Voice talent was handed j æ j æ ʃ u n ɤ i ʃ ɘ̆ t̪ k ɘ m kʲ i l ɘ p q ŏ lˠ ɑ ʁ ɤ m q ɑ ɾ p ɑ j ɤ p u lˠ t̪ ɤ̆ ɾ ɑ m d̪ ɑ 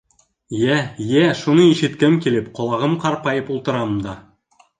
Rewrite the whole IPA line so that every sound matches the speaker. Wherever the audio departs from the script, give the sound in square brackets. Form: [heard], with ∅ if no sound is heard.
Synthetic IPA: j æ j æ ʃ u n ɤ i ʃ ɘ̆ t̪ k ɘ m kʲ i l ɘ p q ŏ lˠ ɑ ʁ ɤ m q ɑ ɾ p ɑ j ɤ p u lˠ t̪ ɤ̆ ɾ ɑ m d̪ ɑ